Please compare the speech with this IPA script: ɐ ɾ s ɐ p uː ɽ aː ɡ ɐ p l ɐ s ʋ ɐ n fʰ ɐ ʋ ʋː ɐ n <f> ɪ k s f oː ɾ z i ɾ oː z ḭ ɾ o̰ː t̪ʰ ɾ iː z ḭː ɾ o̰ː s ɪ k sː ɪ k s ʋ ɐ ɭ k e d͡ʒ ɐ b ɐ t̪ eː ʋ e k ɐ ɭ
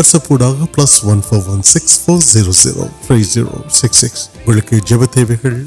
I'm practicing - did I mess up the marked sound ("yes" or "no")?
yes